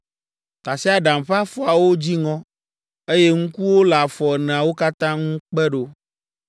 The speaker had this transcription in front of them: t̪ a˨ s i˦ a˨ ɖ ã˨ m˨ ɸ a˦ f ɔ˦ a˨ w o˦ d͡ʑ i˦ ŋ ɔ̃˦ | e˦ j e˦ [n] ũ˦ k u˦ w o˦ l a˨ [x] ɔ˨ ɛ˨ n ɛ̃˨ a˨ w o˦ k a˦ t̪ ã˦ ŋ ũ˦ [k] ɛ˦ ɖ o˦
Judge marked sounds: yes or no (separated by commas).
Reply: no, no, no